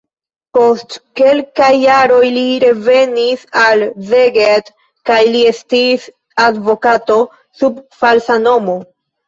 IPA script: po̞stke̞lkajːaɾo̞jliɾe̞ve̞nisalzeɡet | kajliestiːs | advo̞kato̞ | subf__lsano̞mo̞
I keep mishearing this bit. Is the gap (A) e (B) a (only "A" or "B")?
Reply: B